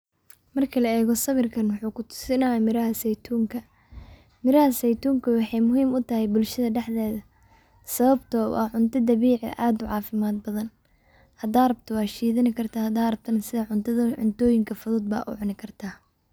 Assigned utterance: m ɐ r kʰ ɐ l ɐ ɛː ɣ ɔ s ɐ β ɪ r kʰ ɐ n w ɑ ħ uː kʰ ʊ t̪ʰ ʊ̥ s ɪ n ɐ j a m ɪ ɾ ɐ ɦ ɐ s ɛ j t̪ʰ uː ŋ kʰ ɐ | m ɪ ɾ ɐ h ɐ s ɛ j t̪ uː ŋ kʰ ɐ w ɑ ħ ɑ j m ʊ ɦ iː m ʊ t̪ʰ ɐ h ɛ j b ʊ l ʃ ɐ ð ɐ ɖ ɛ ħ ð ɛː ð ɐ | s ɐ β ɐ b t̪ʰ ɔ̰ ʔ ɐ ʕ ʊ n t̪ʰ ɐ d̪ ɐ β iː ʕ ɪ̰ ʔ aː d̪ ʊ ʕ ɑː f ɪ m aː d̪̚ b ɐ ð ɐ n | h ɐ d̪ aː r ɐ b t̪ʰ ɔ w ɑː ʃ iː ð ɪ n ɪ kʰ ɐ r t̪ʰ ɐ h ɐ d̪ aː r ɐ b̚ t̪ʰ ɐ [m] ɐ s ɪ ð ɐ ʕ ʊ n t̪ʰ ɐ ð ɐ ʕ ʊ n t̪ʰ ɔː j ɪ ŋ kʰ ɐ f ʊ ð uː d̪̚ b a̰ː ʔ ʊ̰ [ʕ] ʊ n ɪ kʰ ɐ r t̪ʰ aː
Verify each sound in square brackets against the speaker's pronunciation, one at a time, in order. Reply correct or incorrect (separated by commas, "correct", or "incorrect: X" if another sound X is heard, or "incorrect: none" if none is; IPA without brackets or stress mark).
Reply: incorrect: n, correct